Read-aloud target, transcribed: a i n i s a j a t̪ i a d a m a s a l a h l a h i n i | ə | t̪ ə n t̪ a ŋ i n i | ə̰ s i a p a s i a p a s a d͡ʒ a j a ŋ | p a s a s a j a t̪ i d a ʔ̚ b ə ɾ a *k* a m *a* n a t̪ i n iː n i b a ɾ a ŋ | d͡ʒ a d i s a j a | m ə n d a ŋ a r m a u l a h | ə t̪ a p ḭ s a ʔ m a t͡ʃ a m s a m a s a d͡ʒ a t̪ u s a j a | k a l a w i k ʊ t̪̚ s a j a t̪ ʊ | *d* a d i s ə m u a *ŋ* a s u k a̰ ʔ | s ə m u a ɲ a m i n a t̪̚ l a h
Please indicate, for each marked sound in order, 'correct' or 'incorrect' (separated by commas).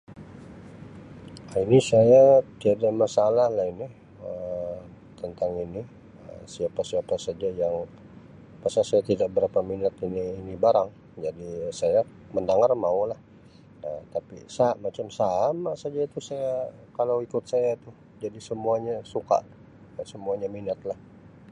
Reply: incorrect, incorrect, incorrect, incorrect